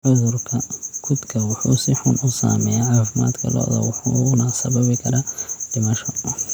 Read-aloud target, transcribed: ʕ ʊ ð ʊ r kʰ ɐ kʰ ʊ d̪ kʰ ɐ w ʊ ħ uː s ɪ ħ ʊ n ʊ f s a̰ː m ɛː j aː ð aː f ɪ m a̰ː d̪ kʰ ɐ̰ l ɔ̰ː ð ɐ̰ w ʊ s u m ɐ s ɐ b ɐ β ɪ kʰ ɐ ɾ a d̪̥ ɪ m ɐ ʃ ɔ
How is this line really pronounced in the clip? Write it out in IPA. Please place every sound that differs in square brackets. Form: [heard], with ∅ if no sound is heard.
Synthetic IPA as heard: ʕ ʊ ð ʊ r kʰ ɐ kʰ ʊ d̪ kʰ ɐ w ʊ ħ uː s ɪ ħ ʊ n ʊ [∅] s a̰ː m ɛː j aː [ʕ] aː f ɪ m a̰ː d̪ kʰ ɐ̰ l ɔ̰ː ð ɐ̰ w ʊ [ħ] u [n] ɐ s ɐ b ɐ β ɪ kʰ ɐ ɾ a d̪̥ ɪ m ɐ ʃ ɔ